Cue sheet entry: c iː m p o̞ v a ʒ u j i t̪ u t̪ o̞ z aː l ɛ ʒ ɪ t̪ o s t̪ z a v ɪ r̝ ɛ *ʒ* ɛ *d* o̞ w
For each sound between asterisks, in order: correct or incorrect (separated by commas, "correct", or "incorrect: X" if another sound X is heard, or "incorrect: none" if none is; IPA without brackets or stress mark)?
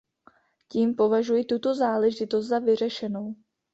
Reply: incorrect: ʃ, incorrect: n